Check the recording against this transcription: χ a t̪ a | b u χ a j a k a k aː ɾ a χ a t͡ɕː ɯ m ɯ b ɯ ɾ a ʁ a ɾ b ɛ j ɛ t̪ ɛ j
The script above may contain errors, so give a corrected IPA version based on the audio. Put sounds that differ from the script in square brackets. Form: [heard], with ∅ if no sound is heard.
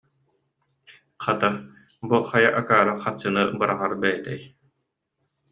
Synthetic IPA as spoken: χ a t̪ a | b u χ a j a [ʔ] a k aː ɾ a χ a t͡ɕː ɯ [n] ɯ b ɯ ɾ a ʁ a ɾ b ɛ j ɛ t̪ ɛ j